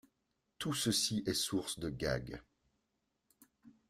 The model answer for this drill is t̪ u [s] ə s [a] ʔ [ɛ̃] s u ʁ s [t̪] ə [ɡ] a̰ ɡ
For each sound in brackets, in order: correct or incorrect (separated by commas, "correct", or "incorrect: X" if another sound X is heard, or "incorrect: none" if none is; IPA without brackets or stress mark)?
correct, incorrect: i, incorrect: ɛ, incorrect: d̪, correct